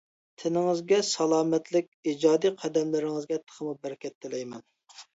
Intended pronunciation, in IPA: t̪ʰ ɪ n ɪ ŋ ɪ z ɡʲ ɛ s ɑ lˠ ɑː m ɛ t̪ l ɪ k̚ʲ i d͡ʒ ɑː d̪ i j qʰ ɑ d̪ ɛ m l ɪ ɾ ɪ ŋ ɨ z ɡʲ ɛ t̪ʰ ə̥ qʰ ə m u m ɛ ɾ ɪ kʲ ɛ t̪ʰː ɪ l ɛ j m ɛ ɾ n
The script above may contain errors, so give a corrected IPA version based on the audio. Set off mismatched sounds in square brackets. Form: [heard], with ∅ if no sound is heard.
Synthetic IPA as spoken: t̪ʰ ɪ n ɪ ŋ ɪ z ɡʲ ɛ s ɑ lˠ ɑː m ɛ t̪ l ɪ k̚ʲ i d͡ʒ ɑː d̪ i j qʰ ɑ d̪ ɛ m l ɪ ɾ ɪ ŋ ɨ z ɡʲ ɛ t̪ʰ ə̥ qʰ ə m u [b] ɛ ɾ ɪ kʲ ɛ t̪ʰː ɪ l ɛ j m ɛ [∅] n